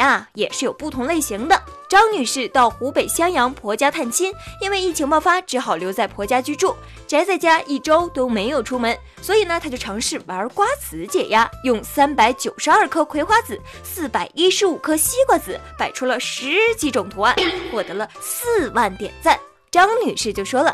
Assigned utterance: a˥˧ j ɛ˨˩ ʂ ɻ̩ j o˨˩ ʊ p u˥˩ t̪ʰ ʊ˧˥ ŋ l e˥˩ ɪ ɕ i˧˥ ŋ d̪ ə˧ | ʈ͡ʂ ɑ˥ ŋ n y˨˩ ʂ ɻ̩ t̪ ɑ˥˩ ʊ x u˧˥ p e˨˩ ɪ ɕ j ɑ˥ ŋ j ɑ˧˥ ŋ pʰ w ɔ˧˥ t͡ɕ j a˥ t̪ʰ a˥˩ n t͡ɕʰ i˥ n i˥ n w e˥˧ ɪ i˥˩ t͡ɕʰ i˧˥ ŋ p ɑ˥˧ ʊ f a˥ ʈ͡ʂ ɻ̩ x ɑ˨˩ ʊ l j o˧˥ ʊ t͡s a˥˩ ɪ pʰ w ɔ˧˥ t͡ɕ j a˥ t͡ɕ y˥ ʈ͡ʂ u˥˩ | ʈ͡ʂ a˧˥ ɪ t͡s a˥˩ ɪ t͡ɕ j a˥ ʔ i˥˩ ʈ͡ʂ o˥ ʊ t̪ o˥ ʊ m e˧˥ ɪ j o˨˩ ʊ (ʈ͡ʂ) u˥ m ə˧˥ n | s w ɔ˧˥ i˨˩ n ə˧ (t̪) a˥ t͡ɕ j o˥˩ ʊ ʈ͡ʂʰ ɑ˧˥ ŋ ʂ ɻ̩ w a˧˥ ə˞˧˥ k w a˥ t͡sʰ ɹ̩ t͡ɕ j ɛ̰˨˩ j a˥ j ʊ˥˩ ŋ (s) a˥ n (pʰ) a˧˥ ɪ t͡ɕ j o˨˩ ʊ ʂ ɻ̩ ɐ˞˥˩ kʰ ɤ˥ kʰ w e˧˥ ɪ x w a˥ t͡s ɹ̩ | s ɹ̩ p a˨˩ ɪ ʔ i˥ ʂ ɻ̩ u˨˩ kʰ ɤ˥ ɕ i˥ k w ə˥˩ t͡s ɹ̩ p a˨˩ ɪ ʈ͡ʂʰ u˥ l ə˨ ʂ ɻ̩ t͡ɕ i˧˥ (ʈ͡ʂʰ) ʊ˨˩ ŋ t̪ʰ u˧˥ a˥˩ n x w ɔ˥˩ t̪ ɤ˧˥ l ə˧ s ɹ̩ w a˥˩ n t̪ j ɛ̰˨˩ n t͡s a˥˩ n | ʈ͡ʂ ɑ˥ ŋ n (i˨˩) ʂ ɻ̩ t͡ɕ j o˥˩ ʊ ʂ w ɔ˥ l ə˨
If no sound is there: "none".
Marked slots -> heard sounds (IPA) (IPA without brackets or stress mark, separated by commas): ʈ͡ʂʰ, t̪ʰ, s, p, ʈ͡ʂ, y˨˩